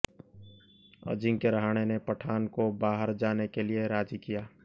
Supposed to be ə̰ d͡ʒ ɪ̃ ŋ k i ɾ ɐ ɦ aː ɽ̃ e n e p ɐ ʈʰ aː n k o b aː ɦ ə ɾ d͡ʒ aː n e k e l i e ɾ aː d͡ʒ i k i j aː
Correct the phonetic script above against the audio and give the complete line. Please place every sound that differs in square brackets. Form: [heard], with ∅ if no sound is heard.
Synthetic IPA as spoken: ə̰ d͡ʒ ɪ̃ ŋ k [e] ɾ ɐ ɦ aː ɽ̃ e n e p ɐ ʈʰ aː n k o b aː ɦ ə ɾ d͡ʒ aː n e k e l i e ɾ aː d͡ʒ i k i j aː